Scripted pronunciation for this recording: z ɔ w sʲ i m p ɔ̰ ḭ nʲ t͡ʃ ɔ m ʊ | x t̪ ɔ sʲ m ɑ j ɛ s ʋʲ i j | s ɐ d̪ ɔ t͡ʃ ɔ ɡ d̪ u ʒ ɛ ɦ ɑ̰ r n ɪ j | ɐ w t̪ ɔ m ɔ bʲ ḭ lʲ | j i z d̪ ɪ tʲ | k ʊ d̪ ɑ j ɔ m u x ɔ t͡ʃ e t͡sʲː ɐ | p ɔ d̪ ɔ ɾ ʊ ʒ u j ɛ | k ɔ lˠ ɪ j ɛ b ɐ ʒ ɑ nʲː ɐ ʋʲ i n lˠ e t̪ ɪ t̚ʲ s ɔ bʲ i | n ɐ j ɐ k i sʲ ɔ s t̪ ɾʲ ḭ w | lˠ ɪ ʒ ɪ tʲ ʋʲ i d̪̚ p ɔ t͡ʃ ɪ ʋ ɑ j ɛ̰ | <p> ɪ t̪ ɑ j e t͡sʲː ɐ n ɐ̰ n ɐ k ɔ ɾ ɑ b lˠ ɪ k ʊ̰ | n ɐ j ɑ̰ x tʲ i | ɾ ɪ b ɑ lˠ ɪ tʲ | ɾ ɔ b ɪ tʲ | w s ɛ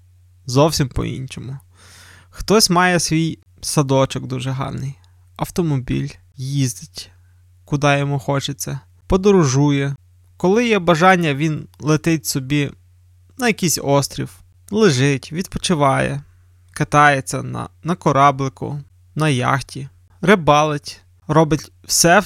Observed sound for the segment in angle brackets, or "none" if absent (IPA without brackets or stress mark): k